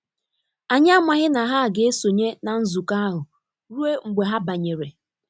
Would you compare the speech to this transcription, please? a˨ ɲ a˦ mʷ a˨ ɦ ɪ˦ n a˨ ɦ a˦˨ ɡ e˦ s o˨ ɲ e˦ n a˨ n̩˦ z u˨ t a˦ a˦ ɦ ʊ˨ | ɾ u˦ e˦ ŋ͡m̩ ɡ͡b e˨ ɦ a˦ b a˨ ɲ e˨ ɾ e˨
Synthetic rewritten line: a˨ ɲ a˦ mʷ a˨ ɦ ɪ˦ n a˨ ɦ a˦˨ ɡ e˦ s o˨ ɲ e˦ n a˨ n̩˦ z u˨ k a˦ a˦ ɦ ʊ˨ | ɾ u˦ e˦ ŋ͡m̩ ɡ͡b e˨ ɦ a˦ b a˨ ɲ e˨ ɾ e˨